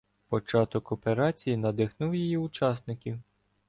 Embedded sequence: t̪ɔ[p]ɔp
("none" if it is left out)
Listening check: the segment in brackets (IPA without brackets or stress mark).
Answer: k